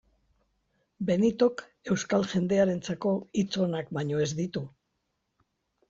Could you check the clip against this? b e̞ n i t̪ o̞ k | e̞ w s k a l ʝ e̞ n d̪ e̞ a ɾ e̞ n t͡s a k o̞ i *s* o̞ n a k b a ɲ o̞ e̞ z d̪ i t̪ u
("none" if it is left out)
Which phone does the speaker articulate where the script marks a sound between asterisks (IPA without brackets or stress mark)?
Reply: t͡s